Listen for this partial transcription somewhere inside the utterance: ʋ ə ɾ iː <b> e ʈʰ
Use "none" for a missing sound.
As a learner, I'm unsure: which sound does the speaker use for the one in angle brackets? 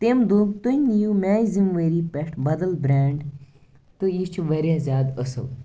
p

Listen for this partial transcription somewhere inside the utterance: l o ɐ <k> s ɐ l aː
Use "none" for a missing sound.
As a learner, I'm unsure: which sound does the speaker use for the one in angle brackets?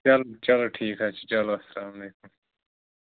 none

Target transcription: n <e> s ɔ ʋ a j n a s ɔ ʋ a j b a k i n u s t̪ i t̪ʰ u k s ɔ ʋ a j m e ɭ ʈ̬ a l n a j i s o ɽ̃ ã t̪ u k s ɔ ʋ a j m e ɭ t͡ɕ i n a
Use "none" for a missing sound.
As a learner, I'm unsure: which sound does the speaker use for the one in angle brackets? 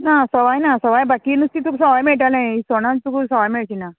a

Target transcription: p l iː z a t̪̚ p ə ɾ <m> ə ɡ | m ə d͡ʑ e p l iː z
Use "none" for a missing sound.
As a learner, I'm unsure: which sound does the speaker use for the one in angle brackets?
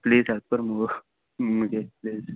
m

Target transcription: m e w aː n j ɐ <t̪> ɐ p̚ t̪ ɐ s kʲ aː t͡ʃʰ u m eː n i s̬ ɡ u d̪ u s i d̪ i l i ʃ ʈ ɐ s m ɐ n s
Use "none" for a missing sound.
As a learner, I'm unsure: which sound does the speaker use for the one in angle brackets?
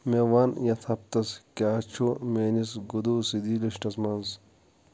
t̪ʰ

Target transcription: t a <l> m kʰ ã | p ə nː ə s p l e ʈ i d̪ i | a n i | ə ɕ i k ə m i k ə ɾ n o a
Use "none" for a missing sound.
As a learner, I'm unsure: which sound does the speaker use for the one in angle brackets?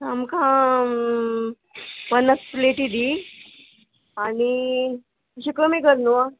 none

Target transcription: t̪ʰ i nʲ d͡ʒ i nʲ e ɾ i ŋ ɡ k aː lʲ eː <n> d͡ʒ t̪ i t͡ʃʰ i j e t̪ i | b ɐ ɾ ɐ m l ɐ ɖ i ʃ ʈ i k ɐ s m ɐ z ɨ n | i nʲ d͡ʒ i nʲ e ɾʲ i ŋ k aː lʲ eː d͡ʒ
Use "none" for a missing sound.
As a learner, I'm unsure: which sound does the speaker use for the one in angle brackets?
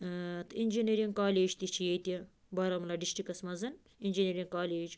none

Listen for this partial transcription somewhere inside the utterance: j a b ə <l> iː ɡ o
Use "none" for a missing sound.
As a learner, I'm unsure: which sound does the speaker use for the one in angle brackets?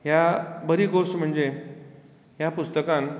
ɾ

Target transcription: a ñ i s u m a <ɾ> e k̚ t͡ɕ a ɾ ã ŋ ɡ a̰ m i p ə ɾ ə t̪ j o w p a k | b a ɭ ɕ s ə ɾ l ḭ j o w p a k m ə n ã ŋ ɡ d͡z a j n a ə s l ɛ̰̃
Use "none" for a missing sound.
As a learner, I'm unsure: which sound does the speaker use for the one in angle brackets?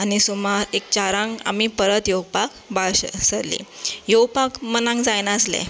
ɾ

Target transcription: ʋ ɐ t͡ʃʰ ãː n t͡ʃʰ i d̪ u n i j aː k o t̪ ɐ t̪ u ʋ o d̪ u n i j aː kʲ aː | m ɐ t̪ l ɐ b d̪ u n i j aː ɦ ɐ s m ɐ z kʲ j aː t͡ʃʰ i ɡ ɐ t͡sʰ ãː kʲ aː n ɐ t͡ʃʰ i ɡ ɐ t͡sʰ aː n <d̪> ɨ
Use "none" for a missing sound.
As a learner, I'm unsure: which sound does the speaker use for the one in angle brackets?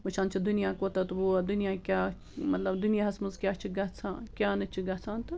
t̪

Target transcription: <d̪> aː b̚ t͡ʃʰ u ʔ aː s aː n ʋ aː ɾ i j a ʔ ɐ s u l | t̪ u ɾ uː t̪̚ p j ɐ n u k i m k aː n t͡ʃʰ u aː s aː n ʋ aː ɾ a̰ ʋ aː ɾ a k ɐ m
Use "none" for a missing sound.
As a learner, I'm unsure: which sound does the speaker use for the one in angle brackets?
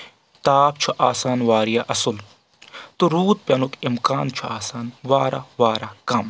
t̪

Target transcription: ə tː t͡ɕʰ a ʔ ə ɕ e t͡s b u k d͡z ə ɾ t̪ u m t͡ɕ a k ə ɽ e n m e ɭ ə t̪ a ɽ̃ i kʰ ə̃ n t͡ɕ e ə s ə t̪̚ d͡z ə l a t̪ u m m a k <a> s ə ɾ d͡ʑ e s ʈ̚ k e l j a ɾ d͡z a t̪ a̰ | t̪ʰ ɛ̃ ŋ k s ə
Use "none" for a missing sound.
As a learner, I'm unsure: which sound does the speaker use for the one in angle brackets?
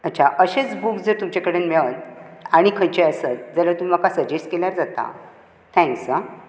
a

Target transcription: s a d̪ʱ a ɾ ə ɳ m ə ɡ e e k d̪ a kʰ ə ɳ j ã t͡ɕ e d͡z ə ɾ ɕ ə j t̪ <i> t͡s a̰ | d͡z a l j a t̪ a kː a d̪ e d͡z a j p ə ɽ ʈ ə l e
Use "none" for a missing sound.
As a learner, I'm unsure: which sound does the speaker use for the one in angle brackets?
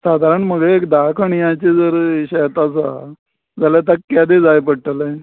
a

